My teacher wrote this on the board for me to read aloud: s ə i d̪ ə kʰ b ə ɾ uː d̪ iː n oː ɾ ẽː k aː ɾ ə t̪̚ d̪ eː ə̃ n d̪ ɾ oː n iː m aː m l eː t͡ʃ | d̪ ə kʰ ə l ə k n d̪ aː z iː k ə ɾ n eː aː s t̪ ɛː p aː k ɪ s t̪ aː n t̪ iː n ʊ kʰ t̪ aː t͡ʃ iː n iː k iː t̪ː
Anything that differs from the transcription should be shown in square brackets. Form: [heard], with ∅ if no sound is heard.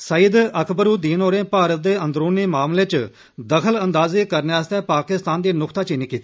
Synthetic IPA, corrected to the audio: s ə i d̪ ə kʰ b ə ɾ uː d̪ iː n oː ɾ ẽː [p] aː ɾ ə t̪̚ d̪ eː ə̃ n d̪ ɾ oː n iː m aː m l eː t͡ʃ | d̪ ə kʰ ə l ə [∅] n d̪ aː z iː k ə ɾ n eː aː s t̪ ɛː p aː k ɪ s t̪ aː n [d̪] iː n ʊ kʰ t̪ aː t͡ʃ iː n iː k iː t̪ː